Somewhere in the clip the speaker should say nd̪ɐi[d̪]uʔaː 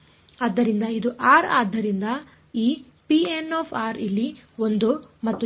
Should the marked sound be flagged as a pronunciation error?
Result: no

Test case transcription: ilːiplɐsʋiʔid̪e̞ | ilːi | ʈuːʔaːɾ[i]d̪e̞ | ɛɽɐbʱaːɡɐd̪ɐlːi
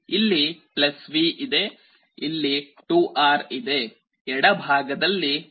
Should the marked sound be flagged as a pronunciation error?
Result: no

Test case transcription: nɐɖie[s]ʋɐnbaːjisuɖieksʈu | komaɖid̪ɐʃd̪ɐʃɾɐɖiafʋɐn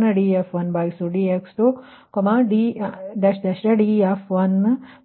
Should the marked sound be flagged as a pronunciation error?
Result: yes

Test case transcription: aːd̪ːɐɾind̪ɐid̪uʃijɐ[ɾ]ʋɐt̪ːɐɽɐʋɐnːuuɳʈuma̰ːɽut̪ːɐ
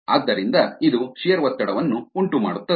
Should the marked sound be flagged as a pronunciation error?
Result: no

